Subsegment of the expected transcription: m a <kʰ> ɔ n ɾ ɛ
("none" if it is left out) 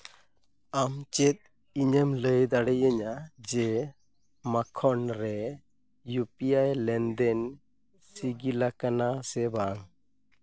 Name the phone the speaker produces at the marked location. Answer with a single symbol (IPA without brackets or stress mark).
kʰ